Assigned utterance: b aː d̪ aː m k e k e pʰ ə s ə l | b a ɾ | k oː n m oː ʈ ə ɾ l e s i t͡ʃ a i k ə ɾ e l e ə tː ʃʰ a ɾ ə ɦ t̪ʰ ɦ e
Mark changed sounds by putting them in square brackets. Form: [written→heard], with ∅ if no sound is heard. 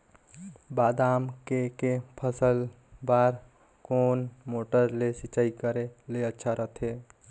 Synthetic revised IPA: b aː d̪ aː m k e k e pʰ ə s ə l | b a ɾ | k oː n m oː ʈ ə ɾ l e s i t͡ʃ a i k ə ɾ e l e ə tː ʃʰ a ɾ ə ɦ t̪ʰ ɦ e